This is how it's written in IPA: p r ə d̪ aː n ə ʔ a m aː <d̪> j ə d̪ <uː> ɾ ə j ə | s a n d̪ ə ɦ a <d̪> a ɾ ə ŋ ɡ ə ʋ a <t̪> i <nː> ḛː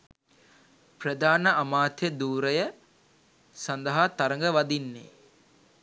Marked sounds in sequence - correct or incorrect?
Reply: incorrect: t̪, correct, incorrect: t̪, incorrect: d̪, correct

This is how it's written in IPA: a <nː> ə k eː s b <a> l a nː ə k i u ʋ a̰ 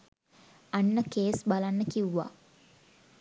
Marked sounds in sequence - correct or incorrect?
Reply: correct, correct

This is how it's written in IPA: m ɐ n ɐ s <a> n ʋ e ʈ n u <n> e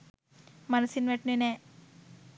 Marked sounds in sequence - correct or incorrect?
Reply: incorrect: i, correct

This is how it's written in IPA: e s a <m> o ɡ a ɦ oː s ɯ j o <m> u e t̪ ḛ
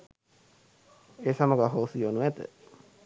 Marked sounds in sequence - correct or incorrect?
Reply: correct, incorrect: n

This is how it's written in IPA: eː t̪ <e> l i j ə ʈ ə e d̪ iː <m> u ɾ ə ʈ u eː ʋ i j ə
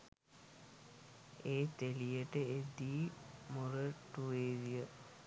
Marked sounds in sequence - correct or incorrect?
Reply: correct, correct

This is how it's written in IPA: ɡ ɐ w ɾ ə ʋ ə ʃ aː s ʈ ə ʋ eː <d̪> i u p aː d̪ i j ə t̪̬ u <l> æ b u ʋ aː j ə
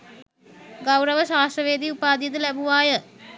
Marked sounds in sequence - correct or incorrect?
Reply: correct, correct

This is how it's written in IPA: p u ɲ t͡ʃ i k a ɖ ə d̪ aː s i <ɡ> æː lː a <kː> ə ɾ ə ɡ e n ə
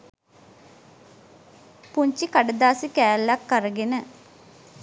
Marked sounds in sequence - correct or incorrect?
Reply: incorrect: k, correct

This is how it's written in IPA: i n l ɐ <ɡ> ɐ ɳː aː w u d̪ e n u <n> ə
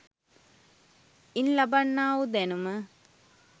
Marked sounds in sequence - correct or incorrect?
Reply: incorrect: b, incorrect: m

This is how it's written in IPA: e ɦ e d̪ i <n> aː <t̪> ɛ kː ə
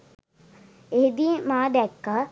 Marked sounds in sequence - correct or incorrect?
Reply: incorrect: m, incorrect: d̪

